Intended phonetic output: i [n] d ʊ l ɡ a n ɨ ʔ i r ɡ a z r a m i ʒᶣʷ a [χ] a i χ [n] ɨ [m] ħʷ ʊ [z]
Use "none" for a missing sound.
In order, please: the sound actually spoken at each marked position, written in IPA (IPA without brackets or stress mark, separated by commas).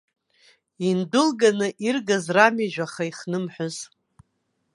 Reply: n, χ, n, m, z